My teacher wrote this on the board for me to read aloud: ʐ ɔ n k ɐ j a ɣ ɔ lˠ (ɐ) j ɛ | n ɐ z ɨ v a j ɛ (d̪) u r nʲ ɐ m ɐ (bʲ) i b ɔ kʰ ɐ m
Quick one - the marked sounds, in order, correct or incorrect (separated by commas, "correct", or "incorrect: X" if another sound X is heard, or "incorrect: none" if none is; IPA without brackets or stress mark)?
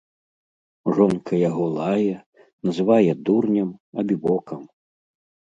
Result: incorrect: a, correct, correct